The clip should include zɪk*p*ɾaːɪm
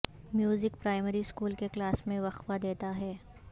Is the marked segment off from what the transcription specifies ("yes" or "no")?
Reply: no